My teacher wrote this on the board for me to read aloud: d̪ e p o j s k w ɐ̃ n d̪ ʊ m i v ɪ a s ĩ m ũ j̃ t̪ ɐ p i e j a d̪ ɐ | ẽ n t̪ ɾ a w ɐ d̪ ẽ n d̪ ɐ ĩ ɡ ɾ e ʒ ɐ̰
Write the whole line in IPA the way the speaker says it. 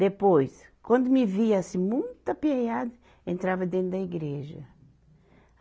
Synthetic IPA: d̪ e p o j s k w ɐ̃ n d̪ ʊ m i v i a s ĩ m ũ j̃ t̪ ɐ p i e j a d̪ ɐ | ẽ n t̪ ɾ a v ɐ d̪ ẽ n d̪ ɐ i ɡ ɾ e ʒ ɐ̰